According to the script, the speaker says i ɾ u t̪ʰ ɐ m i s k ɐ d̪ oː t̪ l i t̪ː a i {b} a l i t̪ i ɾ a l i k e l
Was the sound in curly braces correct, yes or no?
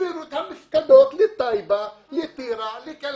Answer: yes